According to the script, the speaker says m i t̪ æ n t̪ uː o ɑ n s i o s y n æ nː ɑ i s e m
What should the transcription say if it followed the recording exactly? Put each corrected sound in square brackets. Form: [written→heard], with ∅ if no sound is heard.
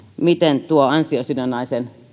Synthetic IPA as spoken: m i t̪ [æ→e] n t̪ [uː→u] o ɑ n s i o s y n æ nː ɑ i s e [m→n]